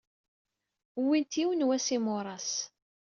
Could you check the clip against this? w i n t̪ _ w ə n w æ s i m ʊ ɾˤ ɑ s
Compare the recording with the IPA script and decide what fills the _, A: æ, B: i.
B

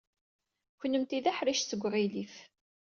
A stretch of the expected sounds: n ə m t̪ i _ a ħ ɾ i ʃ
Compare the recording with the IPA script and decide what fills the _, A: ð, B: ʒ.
A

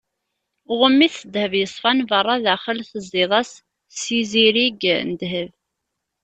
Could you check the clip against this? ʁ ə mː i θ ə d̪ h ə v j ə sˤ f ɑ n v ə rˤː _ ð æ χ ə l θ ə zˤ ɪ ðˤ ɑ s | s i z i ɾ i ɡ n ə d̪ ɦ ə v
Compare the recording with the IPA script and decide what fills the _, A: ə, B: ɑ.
B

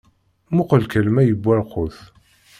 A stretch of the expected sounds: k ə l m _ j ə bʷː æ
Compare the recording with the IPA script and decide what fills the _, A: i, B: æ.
B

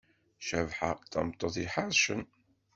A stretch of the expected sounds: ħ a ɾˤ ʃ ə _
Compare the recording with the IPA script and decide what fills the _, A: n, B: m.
A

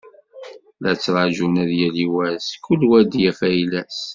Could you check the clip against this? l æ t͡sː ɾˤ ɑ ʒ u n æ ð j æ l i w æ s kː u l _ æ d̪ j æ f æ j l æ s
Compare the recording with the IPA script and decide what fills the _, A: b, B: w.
B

